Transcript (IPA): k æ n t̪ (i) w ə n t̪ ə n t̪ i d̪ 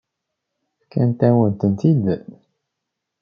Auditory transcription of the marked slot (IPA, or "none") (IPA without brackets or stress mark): æ